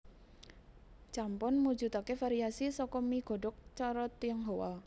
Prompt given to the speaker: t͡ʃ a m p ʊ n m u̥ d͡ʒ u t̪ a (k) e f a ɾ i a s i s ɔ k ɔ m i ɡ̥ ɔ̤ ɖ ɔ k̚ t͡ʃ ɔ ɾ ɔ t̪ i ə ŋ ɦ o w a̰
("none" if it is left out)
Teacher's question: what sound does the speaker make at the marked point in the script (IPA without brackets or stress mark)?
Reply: k